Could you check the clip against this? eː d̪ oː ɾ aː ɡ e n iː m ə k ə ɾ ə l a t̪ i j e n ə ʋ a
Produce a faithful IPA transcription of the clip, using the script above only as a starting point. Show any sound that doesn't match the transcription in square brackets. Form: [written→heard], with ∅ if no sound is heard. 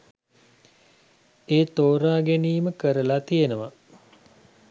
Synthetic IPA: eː [d̪→t̪] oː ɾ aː ɡ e n iː m ə k ə ɾ ə l a t̪ i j e n ə ʋ a